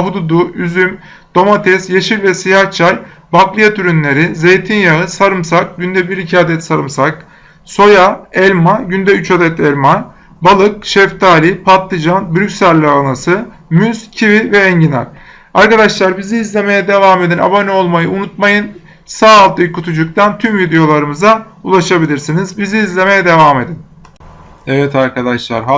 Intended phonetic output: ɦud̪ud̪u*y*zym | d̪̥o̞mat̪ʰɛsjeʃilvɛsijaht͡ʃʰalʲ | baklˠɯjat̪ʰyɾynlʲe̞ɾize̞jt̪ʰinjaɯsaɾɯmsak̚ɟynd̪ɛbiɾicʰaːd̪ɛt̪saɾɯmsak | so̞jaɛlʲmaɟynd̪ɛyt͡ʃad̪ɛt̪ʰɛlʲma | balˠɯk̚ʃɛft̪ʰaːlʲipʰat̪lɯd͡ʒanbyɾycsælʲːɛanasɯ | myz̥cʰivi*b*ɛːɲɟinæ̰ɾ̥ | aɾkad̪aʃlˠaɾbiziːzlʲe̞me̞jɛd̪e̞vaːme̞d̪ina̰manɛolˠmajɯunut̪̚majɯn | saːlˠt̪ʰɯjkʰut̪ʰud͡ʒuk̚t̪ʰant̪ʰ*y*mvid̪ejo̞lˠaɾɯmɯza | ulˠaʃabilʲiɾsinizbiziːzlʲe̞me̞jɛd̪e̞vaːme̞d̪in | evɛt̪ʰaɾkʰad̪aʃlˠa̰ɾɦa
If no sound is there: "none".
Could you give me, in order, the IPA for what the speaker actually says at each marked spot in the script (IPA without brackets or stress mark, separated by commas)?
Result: y, v, y